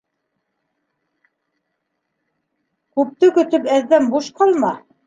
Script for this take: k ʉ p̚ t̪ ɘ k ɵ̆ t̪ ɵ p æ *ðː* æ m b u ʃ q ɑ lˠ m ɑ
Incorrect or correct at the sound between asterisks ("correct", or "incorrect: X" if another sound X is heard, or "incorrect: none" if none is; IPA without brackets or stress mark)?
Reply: correct